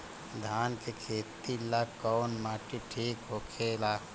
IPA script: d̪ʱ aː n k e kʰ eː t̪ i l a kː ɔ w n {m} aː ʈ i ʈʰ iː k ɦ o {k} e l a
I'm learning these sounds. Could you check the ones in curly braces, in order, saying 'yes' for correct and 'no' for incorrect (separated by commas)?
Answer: yes, no